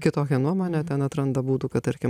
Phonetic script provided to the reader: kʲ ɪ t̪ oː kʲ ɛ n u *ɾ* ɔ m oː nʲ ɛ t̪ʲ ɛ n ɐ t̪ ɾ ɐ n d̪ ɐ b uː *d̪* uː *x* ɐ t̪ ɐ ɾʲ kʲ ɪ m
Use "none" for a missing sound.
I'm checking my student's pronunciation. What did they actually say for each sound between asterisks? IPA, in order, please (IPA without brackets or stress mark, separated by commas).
none, t̪, k